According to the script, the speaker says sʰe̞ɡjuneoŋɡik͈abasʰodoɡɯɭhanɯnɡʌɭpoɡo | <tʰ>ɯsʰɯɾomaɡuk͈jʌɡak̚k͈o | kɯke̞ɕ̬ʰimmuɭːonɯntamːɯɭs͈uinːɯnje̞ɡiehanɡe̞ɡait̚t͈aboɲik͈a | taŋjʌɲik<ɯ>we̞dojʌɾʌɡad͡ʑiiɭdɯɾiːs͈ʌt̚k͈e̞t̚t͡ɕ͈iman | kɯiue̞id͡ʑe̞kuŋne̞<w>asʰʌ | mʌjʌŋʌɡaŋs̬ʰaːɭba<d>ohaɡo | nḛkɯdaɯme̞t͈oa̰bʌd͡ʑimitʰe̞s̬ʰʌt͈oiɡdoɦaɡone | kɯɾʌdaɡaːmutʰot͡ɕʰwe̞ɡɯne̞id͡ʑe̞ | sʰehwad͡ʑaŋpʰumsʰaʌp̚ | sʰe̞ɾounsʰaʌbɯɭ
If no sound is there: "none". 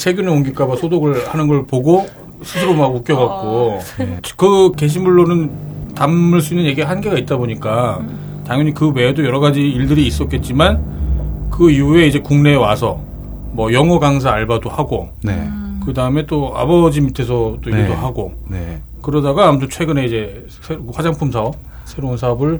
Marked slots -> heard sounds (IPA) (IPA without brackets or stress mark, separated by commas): sʰ, ɯ, w, d